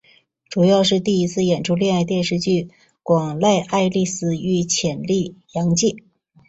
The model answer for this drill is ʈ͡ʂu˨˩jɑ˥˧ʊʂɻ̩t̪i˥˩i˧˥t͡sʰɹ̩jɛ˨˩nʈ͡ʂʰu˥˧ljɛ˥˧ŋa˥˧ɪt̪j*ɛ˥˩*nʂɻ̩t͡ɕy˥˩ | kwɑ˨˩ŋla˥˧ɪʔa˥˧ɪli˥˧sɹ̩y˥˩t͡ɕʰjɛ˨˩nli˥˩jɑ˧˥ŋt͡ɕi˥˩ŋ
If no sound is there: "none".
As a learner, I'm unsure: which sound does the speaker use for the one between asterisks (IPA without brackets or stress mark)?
ɛ˥˧